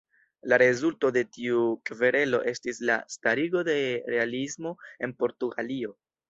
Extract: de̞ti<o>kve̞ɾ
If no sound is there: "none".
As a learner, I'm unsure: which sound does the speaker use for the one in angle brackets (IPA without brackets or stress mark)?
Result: u